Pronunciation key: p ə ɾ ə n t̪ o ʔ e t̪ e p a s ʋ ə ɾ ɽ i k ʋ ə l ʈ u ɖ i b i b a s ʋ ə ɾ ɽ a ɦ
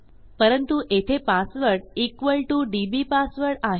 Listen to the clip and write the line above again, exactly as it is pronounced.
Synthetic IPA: p ə ɾ ə n t̪ u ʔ e t̪ʰ e p a s ʋ ə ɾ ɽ i k ʋ ə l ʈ u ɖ i b i p a s ʋ ə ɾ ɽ a ɦ